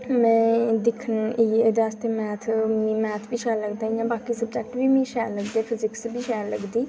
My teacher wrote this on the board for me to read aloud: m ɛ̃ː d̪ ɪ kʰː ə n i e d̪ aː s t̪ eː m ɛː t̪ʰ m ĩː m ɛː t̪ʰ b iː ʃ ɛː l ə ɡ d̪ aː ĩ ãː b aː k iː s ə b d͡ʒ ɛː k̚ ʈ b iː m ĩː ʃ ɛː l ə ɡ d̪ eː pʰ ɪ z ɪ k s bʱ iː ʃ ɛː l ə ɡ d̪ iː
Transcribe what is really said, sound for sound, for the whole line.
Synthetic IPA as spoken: m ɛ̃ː d̪ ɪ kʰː ə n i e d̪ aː s t̪ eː m ɛː t̪ʰ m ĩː m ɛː t̪ʰ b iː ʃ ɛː l ə ɡ d̪ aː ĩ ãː b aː k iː s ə b d͡ʒ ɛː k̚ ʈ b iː m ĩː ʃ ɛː l ə ɡ d̪ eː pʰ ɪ z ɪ k s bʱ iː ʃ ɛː l ə ɡ d̪ iː